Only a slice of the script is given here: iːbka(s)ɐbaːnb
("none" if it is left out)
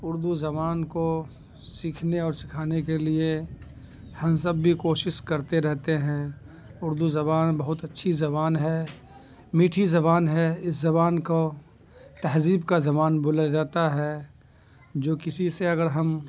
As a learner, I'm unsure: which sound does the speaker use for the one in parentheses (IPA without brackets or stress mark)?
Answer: z